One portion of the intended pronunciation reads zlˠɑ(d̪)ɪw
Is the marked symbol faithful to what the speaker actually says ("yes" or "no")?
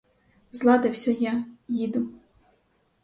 yes